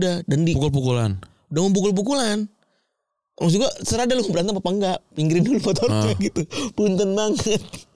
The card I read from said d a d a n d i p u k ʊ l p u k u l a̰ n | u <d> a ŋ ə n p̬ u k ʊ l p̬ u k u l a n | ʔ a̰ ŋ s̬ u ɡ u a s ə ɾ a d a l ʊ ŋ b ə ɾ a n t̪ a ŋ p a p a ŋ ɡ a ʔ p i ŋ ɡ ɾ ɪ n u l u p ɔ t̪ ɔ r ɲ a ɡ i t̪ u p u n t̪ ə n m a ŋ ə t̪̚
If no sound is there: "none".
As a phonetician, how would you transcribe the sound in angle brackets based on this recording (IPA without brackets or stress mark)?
d